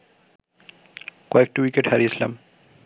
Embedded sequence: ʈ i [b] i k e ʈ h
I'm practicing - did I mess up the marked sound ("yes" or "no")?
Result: yes